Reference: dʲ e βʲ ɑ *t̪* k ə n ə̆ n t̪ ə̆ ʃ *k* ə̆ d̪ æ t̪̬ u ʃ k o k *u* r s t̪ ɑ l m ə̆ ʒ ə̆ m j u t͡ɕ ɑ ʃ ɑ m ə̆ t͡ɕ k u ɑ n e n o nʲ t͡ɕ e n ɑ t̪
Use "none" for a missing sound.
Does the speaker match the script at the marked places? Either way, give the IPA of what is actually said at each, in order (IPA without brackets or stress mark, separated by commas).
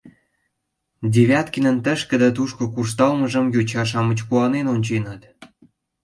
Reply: t̪, k, u